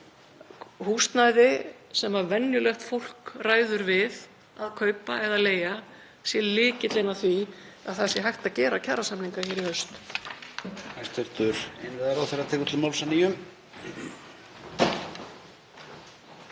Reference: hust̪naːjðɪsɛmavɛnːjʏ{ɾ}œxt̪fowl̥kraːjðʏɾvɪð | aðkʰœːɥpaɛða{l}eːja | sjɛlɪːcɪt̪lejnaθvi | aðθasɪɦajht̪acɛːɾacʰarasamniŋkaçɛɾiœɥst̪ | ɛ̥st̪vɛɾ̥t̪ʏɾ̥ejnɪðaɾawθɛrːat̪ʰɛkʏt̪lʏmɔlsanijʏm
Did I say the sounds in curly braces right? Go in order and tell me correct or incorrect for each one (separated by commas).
incorrect, correct